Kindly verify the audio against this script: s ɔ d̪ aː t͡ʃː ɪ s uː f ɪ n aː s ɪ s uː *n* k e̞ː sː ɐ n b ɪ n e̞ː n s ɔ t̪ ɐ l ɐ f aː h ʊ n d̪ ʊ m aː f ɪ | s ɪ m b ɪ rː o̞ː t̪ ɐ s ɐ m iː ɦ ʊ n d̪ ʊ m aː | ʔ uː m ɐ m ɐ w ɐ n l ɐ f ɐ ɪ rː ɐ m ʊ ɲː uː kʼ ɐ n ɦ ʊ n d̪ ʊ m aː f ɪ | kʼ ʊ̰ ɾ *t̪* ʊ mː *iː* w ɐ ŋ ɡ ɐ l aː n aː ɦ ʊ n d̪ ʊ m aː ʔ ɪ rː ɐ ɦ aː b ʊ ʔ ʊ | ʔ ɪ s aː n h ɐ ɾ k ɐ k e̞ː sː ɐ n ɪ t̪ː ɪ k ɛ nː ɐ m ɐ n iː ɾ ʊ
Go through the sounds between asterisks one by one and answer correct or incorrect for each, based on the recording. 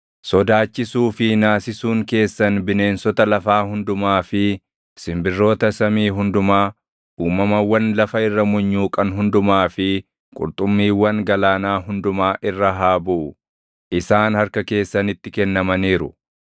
incorrect, incorrect, correct

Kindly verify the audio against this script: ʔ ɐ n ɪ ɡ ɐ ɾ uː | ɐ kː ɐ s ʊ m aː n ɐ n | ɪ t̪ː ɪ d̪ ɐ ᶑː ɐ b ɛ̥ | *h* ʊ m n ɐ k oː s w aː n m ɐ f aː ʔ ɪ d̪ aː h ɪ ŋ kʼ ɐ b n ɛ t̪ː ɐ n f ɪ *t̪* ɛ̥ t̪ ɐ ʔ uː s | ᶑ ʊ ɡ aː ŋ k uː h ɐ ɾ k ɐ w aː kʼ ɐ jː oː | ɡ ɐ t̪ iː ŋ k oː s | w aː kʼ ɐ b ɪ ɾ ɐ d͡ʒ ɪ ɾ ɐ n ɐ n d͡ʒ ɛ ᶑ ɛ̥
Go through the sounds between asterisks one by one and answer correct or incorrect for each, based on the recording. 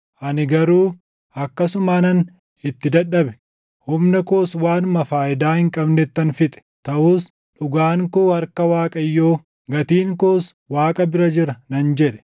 correct, incorrect

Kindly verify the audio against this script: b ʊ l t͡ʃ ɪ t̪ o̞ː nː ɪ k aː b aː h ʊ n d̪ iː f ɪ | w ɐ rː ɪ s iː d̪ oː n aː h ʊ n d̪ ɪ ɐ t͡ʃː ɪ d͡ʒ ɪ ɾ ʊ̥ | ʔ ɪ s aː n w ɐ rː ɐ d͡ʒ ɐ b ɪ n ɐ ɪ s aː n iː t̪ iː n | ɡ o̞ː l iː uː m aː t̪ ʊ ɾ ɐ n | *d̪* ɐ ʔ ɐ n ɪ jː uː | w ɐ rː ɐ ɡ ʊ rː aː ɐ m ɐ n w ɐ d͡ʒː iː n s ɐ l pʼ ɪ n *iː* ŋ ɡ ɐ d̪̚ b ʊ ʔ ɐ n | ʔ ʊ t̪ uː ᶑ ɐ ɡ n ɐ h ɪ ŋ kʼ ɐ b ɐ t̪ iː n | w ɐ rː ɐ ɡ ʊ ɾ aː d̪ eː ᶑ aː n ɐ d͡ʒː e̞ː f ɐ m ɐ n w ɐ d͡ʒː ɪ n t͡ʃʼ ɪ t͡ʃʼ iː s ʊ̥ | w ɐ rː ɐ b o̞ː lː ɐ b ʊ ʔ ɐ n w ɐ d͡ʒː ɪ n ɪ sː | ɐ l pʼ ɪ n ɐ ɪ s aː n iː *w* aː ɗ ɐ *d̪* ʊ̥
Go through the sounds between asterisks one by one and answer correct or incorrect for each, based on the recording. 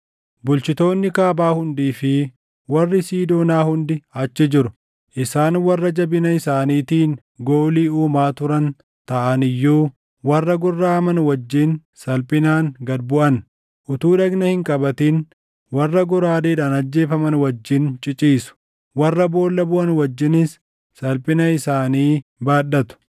incorrect, incorrect, incorrect, incorrect

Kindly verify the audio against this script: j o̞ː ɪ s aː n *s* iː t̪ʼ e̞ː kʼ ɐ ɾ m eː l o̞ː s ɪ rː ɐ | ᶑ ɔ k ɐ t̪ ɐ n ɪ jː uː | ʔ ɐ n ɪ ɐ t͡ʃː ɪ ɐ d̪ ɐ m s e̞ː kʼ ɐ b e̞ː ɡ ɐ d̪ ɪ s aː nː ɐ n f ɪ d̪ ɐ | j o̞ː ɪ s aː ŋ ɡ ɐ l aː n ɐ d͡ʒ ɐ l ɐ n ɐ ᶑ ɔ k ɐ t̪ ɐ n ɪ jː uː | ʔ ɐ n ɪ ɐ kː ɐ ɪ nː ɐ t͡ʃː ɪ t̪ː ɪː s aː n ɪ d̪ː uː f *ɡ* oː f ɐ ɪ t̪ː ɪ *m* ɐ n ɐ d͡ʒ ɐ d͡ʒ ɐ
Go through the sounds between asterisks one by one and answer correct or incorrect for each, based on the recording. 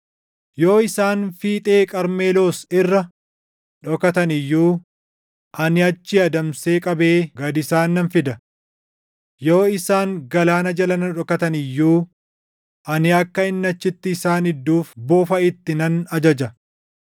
incorrect, incorrect, incorrect

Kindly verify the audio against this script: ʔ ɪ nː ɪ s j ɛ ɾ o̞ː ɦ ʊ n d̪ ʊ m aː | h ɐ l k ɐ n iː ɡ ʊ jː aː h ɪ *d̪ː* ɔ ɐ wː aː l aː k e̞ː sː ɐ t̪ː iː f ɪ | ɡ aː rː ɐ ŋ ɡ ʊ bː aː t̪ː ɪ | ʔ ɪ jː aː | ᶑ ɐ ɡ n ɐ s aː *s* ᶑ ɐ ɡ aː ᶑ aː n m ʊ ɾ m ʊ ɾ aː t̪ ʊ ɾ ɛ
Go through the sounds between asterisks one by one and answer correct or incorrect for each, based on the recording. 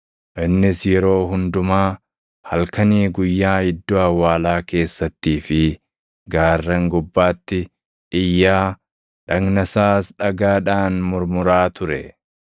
correct, correct

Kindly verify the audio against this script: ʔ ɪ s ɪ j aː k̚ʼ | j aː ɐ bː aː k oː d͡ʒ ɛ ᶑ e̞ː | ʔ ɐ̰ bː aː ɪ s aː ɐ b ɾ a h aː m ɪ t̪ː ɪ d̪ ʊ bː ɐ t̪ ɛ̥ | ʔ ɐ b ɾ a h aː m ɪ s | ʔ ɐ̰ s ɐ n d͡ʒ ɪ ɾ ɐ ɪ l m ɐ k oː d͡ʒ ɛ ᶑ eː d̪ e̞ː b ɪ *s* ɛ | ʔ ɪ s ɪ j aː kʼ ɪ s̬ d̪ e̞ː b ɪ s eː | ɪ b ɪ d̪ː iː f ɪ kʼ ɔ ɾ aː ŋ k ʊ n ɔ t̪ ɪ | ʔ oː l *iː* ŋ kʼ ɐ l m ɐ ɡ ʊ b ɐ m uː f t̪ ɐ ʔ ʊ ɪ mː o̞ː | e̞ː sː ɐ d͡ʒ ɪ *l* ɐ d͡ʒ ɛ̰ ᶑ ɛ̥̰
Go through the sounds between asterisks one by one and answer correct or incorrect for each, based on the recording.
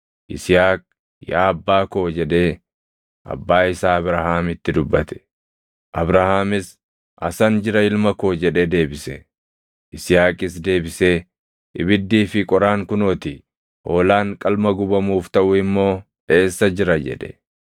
correct, incorrect, incorrect

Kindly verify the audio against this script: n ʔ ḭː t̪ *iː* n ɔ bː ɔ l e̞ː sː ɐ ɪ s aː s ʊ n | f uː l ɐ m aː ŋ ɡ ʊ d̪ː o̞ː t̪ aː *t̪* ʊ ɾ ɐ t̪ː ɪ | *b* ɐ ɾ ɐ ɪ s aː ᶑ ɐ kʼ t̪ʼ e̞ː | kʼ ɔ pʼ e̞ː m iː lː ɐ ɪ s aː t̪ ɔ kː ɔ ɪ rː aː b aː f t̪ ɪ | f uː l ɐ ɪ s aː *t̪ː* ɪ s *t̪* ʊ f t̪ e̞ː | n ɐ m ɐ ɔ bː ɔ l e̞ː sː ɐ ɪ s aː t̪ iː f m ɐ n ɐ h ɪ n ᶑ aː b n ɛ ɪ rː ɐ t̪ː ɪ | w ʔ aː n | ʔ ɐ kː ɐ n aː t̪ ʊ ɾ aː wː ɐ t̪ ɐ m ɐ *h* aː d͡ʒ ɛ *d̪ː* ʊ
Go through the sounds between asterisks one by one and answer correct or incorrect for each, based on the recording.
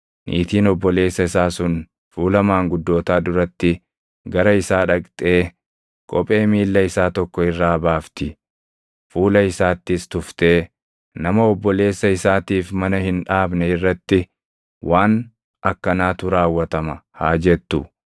correct, incorrect, incorrect, correct, correct, correct, incorrect

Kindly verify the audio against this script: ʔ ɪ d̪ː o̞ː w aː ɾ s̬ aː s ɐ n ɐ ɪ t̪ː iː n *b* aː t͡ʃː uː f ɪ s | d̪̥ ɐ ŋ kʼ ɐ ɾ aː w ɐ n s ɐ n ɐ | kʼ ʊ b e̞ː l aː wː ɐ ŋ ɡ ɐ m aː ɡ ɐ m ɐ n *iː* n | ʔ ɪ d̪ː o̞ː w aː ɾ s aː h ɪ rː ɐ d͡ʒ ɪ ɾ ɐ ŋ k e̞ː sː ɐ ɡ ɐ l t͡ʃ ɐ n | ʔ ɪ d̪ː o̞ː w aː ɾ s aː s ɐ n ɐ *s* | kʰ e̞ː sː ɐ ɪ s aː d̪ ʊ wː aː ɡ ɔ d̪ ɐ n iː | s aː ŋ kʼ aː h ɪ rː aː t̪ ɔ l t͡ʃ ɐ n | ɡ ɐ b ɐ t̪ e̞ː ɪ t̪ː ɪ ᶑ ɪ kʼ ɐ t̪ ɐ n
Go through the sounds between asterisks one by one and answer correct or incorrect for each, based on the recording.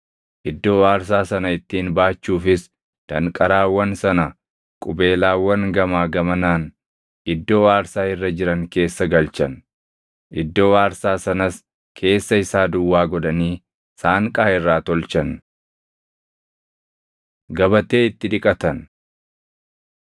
correct, incorrect, correct

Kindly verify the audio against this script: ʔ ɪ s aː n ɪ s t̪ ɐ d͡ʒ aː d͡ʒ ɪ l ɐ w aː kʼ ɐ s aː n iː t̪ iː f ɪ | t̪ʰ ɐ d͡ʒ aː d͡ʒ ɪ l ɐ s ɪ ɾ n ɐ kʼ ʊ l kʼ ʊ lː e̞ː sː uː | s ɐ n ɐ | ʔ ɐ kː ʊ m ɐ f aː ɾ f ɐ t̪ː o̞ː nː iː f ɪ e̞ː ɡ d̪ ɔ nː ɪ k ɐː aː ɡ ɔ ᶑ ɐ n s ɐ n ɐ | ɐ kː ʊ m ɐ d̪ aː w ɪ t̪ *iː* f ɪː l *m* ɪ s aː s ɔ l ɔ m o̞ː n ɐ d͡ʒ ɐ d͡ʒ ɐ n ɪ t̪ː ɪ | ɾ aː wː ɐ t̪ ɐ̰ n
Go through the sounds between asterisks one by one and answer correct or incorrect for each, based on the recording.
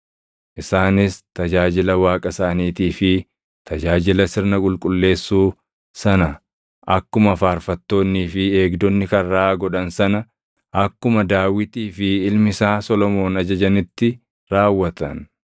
correct, correct

